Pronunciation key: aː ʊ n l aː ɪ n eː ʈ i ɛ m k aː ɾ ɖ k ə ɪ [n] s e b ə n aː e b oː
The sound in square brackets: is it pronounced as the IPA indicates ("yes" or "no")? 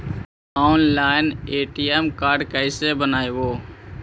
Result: no